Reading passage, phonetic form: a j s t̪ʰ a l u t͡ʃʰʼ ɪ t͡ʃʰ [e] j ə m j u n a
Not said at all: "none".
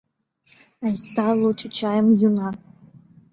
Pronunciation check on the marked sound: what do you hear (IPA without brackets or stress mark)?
a